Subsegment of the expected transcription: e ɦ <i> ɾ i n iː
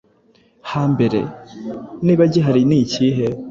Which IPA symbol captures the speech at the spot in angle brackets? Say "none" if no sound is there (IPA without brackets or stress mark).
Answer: a